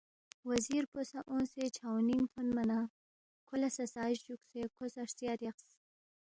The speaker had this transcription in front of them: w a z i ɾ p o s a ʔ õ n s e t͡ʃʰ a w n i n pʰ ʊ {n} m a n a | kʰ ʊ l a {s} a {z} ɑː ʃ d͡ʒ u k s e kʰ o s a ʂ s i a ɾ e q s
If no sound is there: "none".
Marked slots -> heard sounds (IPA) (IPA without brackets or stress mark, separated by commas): n, s, s